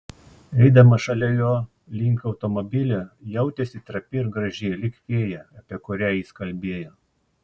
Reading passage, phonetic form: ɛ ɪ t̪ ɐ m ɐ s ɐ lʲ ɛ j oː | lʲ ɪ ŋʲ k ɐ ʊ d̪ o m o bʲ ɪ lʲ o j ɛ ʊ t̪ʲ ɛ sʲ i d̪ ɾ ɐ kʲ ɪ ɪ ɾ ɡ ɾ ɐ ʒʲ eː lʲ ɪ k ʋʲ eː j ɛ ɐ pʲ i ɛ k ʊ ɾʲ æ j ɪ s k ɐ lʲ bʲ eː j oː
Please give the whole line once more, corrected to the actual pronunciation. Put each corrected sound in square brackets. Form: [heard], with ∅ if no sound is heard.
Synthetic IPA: ɛ ɪ [d̪] ɐ m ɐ [ʃ] ɐ lʲ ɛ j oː | lʲ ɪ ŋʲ k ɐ ʊ [t̪] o m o bʲ ɪ lʲ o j ɛ ʊ t̪ʲ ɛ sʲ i [t̪] ɾ ɐ [pʲ] ɪ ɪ ɾ ɡ ɾ ɐ ʒʲ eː lʲ ɪ k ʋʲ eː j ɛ ɐ pʲ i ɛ k ʊ ɾʲ æ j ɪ s k ɐ lʲ bʲ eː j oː